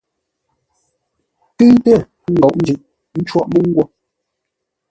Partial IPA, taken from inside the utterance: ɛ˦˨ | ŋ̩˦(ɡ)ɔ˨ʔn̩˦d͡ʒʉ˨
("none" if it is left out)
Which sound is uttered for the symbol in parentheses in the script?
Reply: ɡ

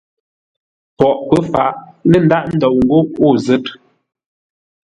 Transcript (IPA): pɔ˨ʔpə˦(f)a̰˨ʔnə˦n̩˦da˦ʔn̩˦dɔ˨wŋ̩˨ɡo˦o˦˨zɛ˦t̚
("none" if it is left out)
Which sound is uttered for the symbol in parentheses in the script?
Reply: f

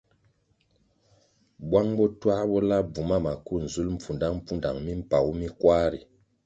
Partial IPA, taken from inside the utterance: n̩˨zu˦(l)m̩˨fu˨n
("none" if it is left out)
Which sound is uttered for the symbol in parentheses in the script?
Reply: l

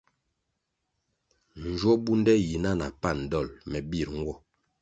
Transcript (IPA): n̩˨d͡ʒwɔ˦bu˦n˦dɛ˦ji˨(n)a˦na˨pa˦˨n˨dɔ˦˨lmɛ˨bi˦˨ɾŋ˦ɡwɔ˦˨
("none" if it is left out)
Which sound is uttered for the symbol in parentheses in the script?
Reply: n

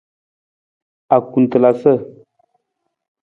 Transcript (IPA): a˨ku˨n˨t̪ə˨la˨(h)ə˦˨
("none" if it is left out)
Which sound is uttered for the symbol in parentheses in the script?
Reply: s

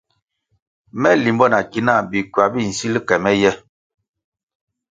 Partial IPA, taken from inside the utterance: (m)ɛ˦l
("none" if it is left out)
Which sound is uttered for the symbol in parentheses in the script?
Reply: m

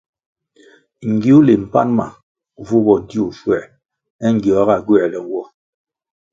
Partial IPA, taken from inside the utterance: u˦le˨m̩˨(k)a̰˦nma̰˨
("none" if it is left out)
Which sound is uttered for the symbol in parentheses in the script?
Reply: p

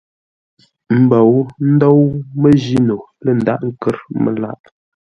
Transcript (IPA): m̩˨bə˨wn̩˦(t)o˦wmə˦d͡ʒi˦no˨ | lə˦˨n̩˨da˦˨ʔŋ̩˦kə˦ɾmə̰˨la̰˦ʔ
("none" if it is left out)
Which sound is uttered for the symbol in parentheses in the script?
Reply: d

